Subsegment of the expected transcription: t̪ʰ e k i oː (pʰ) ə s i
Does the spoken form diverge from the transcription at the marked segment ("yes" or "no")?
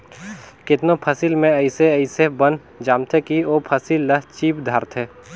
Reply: no